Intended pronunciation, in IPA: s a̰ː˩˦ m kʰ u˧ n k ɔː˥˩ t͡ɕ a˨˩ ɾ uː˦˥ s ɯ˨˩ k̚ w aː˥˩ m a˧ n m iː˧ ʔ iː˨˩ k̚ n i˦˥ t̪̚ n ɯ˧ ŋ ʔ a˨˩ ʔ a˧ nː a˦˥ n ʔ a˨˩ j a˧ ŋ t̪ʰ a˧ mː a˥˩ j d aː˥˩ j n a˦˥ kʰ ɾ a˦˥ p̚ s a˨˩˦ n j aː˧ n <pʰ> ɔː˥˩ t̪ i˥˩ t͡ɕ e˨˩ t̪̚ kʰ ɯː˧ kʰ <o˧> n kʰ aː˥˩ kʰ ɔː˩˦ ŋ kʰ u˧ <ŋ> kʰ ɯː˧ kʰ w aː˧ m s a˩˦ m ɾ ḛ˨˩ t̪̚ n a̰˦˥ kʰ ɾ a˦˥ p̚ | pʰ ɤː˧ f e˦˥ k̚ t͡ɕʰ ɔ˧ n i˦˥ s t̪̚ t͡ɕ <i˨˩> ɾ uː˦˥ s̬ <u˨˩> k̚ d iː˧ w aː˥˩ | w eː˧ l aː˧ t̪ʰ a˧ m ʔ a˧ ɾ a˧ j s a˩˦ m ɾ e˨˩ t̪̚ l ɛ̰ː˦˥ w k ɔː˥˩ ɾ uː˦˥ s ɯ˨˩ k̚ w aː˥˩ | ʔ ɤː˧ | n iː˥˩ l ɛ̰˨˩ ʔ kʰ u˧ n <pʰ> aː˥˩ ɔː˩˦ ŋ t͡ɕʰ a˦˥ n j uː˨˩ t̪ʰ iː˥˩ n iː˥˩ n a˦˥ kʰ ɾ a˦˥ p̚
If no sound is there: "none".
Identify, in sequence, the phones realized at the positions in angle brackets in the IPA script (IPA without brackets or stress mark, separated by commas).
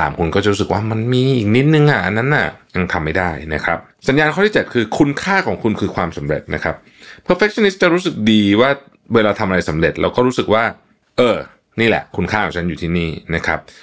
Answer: kʰ, u˧, n, a˨˩, ɯ˨˩, kʰ